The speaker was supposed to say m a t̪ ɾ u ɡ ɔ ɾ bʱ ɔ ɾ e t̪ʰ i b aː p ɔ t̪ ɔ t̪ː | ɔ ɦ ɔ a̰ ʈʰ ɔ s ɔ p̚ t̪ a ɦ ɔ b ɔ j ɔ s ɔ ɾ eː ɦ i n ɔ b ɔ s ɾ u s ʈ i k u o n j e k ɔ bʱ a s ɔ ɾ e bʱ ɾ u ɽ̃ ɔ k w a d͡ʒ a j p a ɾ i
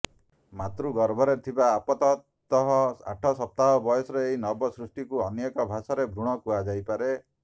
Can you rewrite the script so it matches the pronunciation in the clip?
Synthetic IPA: m a t̪ ɾ u ɡ ɔ ɾ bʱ ɔ ɾ e t̪ʰ i b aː p ɔ t̪ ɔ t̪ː | ɔ ɦ ɔ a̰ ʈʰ ɔ s ɔ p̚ t̪ a ɦ ɔ b ɔ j ɔ s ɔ ɾ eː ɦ i n ɔ b ɔ s ɾ u s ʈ i k u ɔ n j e k ɔ bʱ a s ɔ ɾ e bʱ ɾ u ɽ̃ ɔ k u a d͡ʒ a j p a ɾ e